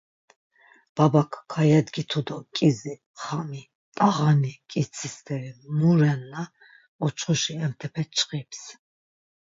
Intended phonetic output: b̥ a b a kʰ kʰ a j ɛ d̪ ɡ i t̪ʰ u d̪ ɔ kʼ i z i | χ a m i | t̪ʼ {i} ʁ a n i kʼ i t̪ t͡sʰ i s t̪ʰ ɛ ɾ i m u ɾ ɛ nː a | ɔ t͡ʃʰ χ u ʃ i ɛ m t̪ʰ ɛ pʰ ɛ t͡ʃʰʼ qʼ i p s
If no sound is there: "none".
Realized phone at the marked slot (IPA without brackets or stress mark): a